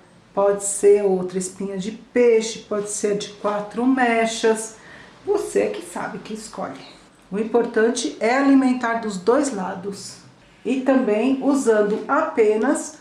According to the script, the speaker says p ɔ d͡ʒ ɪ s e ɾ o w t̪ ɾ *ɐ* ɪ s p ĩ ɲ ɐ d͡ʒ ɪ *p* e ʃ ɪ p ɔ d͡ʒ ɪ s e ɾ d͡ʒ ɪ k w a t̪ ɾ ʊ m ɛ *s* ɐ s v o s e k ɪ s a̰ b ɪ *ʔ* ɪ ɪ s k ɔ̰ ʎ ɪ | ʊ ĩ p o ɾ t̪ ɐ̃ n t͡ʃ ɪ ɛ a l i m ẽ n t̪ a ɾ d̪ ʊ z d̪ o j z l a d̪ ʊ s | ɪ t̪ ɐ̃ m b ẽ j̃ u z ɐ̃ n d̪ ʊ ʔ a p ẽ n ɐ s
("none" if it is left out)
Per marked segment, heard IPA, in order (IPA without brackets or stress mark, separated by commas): ɐ, p, ʃ, k